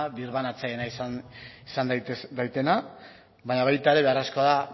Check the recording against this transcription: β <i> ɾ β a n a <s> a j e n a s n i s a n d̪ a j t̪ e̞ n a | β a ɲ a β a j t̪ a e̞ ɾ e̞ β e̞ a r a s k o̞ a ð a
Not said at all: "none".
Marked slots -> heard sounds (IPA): i, t͡s

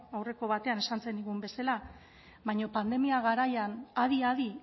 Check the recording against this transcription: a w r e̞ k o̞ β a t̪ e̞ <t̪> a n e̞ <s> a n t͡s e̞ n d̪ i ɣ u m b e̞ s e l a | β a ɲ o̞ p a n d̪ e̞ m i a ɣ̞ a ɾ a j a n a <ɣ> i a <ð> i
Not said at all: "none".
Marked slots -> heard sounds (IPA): none, s, ð, ð

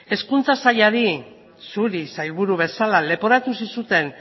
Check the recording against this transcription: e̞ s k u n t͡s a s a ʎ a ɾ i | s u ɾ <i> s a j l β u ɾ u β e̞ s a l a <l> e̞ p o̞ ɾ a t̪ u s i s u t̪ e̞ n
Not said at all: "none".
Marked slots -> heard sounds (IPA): i, l

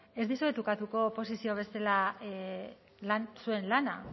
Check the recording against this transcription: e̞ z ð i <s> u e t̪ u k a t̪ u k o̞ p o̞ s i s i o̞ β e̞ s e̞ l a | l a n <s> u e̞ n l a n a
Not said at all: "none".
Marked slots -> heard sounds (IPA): s, s

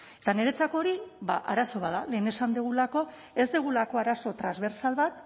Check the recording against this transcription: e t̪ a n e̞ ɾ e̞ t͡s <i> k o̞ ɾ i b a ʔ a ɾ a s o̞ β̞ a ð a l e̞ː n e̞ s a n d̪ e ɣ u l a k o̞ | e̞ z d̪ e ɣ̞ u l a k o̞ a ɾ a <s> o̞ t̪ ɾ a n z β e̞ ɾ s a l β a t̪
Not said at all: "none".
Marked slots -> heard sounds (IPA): a, s

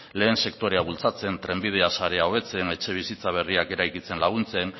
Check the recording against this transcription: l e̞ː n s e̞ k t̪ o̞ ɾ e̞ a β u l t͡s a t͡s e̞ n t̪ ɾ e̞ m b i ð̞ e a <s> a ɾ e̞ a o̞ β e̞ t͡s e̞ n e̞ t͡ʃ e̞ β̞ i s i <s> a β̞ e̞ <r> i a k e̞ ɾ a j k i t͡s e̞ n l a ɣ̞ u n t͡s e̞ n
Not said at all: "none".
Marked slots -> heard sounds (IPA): s, t͡s, r

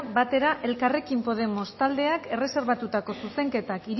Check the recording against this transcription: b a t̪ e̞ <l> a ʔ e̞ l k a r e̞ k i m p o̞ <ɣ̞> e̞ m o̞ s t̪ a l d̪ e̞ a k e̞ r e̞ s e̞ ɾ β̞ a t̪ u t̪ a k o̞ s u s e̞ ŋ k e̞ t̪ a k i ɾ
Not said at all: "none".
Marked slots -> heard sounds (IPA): ɾ, ð̞

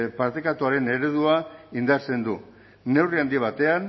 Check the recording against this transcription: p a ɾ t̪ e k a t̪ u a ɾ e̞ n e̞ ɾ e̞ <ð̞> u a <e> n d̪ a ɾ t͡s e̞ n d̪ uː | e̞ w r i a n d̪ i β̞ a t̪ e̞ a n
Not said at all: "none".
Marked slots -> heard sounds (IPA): ð̞, i

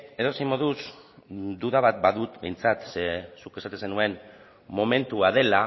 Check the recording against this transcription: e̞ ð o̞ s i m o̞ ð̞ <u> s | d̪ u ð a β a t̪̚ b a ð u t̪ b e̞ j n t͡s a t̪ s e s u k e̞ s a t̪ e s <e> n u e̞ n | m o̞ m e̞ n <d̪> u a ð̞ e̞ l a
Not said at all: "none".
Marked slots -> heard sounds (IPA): u, e, t̪

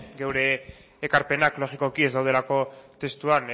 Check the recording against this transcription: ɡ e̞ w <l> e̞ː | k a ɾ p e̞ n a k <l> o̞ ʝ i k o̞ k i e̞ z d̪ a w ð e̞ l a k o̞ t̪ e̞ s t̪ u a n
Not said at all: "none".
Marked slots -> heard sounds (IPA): ɾ, l

